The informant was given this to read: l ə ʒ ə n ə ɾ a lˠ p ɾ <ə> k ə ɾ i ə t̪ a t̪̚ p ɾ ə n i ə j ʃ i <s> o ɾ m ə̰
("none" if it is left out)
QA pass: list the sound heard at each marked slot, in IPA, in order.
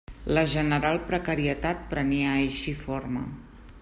ə, f

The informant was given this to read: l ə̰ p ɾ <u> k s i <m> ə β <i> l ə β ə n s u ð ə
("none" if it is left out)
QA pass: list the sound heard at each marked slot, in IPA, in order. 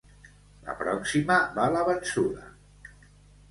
ɔ, m, a

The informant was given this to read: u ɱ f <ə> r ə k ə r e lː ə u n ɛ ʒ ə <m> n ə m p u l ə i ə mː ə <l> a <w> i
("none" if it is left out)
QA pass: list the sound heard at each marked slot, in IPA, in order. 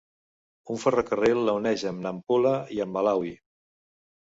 ə, m, l, w

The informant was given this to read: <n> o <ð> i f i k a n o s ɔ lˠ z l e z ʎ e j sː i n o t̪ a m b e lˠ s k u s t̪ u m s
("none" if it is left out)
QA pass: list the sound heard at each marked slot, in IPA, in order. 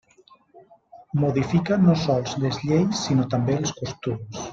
m, ð

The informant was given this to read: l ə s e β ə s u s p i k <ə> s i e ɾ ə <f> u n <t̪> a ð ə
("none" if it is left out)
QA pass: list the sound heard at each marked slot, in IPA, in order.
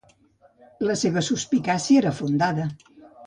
a, f, d̪

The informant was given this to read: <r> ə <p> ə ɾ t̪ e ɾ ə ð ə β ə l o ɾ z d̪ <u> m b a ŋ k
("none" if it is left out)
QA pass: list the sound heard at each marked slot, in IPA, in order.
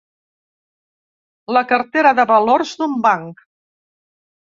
l, k, u

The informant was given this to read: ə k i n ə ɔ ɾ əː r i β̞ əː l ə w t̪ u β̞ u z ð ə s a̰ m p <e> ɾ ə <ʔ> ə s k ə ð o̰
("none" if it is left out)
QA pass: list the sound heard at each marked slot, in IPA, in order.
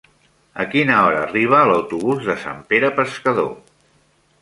e, p

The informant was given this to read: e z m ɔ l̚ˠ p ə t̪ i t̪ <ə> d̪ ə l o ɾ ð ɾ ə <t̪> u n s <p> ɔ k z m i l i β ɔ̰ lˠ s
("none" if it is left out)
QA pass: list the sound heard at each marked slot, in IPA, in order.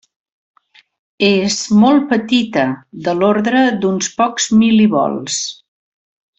ə, d̪, p

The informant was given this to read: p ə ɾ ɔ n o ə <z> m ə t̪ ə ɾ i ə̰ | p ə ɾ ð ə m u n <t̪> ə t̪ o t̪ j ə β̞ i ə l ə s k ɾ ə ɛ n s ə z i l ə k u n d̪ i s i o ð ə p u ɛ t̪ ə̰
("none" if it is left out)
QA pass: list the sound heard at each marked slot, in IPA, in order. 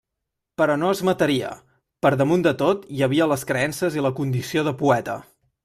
z, d̪

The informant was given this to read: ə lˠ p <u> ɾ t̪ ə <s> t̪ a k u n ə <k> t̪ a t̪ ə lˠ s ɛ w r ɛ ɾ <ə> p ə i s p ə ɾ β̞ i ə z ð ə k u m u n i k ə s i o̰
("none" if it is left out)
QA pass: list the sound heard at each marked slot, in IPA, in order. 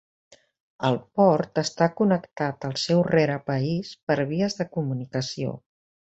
ɔ, s, k, ə

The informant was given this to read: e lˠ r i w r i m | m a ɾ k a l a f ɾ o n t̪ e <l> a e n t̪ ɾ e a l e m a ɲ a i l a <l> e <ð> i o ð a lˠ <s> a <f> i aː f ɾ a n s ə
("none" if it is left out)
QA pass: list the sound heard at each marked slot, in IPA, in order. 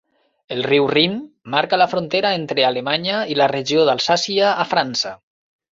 ɾ, r, ʒ, s, s

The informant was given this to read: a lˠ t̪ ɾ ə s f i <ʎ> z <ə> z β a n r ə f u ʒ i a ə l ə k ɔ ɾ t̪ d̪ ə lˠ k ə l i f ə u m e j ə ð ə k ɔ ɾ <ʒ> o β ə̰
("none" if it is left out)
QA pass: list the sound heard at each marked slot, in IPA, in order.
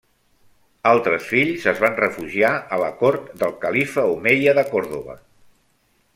ʎ, ə, ð

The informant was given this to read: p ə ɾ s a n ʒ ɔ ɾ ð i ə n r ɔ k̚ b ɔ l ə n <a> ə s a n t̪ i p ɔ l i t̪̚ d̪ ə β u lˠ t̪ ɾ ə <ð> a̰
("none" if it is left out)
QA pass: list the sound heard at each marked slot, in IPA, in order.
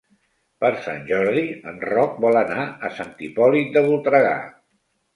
a, ɣ

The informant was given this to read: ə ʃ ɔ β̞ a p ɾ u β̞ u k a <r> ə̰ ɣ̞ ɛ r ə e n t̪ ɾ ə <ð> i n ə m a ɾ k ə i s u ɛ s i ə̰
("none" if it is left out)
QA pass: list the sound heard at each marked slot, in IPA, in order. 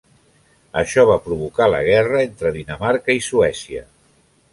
l, ð

